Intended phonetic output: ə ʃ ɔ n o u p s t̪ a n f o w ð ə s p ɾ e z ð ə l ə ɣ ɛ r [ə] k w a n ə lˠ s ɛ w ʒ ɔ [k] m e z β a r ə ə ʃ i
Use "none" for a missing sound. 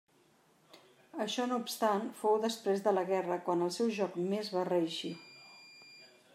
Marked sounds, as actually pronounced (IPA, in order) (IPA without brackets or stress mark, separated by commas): ə, k